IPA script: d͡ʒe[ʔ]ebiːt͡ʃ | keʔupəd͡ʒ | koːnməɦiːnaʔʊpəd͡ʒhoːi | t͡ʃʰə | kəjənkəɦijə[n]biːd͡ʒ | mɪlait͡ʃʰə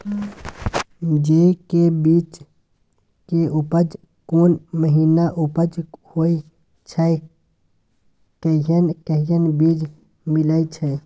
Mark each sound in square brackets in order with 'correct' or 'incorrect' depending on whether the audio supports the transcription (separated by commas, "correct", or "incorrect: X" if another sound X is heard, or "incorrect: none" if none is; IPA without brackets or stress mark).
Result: incorrect: k, correct